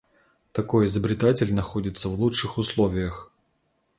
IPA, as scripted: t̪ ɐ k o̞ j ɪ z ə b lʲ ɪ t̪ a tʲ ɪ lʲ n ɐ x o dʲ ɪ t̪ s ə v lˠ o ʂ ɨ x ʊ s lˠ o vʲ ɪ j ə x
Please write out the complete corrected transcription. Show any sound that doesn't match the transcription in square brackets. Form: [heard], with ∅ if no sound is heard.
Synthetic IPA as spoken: t̪ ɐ k o̞ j ɪ z ə b [ɾʲ] ɪ t̪ a tʲ ɪ lʲ n ɐ x o dʲ ɪ t̪ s ə v lˠ [u] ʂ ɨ x ʊ s lˠ o vʲ ɪ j ə x